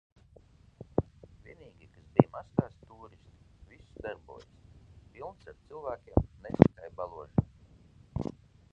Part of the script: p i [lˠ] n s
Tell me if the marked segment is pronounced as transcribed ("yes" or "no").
yes